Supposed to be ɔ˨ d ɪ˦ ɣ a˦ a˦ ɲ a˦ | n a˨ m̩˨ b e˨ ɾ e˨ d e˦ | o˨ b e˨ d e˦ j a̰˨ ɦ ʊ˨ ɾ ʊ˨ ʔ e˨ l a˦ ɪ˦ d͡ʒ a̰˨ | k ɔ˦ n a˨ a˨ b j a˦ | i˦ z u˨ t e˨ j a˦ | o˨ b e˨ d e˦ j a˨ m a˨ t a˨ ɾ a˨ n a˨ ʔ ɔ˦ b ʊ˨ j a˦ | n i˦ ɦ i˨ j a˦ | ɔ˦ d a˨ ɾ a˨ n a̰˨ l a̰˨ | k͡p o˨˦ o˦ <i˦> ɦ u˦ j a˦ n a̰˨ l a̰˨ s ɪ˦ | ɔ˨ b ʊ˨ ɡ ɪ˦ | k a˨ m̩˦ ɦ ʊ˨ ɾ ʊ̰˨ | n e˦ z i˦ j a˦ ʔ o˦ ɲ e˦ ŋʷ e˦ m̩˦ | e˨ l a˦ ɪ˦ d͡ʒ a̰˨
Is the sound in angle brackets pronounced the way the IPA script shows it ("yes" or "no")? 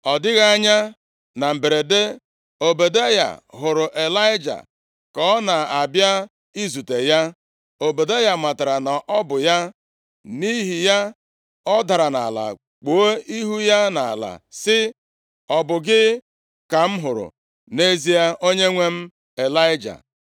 yes